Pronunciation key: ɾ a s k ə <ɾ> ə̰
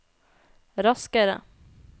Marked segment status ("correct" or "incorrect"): correct